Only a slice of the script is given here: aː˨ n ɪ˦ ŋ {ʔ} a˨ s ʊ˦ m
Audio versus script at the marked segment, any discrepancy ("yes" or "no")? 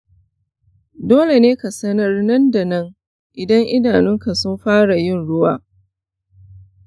yes